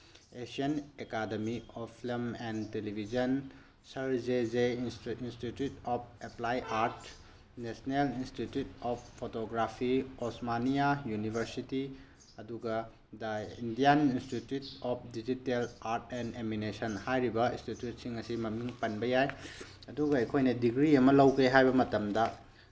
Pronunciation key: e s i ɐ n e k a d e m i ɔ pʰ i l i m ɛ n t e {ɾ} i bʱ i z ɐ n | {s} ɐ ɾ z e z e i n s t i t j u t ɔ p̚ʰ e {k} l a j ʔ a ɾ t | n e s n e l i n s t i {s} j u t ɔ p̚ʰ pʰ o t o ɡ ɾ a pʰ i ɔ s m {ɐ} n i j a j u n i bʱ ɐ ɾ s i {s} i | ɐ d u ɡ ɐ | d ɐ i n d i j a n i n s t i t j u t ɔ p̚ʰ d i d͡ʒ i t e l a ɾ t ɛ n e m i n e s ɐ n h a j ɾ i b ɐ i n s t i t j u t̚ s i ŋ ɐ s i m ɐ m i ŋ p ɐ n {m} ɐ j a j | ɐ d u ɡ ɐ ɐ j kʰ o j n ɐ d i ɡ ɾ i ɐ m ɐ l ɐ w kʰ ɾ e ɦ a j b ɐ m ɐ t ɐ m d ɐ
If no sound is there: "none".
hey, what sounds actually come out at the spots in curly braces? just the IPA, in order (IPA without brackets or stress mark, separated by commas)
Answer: l, s, p, t, a, t, b